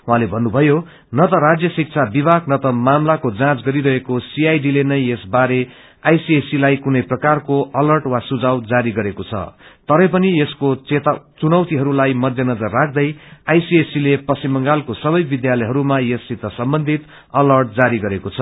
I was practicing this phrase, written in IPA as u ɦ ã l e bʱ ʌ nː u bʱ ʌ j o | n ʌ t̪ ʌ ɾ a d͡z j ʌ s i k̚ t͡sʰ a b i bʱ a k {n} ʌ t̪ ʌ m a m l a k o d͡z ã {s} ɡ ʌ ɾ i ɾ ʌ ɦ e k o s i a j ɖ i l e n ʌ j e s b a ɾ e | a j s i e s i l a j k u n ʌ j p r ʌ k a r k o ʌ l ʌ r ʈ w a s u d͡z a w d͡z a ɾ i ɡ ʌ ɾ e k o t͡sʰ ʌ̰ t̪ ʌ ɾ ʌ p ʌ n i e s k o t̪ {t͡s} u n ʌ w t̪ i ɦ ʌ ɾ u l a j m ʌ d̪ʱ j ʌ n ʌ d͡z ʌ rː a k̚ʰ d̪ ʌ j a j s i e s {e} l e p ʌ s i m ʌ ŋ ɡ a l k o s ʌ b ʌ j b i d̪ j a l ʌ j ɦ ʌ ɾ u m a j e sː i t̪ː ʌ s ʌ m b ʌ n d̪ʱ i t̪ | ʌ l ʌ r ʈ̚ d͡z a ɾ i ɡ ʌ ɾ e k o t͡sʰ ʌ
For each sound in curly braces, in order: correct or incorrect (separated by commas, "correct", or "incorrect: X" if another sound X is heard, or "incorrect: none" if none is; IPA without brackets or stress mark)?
correct, incorrect: t͡s, correct, incorrect: i